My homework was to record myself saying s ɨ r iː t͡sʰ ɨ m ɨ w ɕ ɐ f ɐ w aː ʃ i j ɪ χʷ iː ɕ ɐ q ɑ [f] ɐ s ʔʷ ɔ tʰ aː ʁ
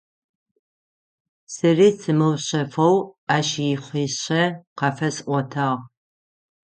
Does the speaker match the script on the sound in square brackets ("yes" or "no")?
yes